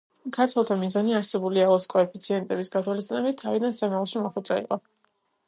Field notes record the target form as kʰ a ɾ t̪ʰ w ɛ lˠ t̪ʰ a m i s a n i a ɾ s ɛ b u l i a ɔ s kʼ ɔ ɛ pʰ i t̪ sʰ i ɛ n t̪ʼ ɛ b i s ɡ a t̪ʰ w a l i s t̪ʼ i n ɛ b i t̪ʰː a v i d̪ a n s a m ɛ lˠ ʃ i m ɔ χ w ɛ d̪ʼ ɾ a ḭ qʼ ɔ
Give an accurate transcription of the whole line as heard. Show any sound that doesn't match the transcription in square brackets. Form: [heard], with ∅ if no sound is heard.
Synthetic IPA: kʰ a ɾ t̪ʰ w ɛ lˠ t̪ʰ a m i [z] a n i a ɾ s ɛ b u l i a ɔ s kʼ ɔ ɛ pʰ i t̪ sʰ i ɛ n t̪ʼ ɛ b i s ɡ a t̪ʰ w a l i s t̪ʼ i n ɛ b i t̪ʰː a v i d̪ a n s a m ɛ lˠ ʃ i m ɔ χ w ɛ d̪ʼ ɾ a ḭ qʼ ɔ